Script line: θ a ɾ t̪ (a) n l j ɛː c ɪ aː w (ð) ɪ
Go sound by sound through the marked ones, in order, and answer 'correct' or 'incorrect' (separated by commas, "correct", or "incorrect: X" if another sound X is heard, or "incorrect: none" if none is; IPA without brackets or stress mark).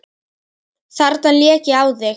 correct, correct